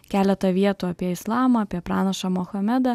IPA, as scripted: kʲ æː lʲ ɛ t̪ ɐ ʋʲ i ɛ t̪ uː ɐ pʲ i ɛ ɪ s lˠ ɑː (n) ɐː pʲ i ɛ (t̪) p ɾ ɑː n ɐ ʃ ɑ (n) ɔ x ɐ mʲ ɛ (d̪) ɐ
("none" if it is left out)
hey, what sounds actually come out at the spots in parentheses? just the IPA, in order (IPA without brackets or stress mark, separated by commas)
m, none, m, d̪